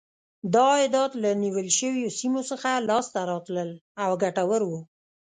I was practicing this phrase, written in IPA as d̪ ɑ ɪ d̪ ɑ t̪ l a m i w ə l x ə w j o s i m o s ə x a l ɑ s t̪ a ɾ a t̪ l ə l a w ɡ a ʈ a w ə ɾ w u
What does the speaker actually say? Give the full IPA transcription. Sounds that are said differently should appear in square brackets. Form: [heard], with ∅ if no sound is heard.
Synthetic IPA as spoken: d̪ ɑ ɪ d̪ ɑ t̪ l a [n] i w ə l [ʃ] ə w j o s i m o s ə x a l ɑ s t̪ a ɾ [ɑ] t̪ l ə l a w ɡ a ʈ a w ə ɾ w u